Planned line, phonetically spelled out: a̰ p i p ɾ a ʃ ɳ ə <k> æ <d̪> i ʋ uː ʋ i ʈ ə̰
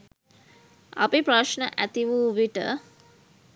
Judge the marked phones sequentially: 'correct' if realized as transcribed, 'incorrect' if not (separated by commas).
incorrect, incorrect